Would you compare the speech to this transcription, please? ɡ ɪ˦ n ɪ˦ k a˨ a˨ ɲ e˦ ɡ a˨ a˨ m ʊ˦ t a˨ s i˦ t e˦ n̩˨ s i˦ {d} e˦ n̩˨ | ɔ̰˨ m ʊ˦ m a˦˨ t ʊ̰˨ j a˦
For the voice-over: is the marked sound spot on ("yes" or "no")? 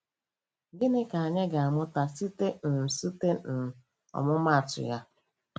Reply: no